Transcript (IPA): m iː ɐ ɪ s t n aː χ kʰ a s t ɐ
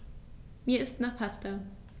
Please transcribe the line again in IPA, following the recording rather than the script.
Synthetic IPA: m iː ɐ ɪ s t n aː χ pʰ a s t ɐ

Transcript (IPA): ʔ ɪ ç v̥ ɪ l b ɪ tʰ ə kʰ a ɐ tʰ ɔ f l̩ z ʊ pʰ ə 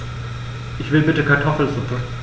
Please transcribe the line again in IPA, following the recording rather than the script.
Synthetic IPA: ʔ ɪ ç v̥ ɪ l b ɪ t ə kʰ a ɐ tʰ ɔ f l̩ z ʊ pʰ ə

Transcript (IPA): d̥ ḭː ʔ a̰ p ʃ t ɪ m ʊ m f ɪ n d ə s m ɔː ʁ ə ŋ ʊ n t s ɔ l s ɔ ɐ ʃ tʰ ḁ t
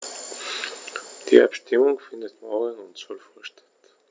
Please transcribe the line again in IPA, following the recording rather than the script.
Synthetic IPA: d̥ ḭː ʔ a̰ p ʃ t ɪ m ʊ ŋ f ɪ n d ə t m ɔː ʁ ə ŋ ʊ n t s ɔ l f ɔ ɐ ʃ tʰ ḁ t

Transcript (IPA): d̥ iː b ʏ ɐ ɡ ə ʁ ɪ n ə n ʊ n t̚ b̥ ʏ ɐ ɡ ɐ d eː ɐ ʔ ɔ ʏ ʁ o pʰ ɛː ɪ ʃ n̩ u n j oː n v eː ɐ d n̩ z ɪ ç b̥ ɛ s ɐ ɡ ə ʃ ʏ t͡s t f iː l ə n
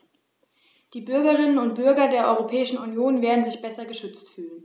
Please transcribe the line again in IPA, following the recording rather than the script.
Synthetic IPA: d̥ iː b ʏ ɐ ɡ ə ʁ ɪ n ə n ʊ n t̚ b̥ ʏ ɐ ɡ ɐ d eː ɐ ʔ ɔ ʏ ʁ o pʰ ɛː ɪ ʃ n̩ u n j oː n v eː ɐ d n̩ z ɪ ç b̥ ɛ s ɐ ɡ ə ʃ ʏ t͡s t f yː l ə n

